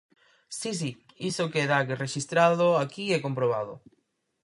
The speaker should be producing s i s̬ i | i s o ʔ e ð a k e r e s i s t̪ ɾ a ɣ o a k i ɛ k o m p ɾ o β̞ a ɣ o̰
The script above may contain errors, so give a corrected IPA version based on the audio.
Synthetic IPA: s i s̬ i | i s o k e ð a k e r e ʃ i s t̪ ɾ a ð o a k i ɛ k o m p ɾ o β̞ a ð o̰